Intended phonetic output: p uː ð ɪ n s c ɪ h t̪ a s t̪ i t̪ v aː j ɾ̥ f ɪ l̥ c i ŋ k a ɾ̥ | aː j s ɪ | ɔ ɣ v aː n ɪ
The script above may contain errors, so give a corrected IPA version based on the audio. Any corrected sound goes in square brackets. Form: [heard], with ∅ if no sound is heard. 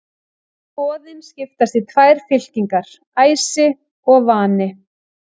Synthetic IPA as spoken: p [ɔː] ð ɪ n s c ɪ [f] t̪ a s t̪ i [t̪ʰ] v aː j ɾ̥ f ɪ l̥ c i ŋ k a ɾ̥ | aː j s ɪ | ɔ ɣ v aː n ɪ